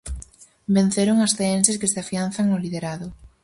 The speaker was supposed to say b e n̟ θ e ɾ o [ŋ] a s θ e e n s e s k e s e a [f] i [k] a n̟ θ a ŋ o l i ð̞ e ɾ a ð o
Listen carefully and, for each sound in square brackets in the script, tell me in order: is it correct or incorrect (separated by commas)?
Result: correct, correct, incorrect